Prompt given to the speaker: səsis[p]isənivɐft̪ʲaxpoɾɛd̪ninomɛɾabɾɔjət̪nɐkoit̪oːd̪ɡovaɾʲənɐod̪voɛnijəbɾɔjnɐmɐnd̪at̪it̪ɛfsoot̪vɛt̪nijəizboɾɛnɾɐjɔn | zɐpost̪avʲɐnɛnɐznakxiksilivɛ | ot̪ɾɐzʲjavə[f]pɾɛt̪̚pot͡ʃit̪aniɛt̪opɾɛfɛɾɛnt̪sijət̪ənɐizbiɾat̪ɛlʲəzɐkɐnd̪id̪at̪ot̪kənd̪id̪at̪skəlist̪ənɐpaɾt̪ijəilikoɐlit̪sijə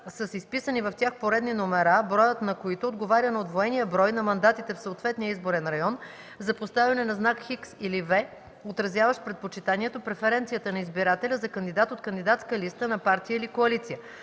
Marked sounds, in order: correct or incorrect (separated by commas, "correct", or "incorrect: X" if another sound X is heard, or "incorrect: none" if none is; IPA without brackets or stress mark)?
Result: correct, incorrect: ʃ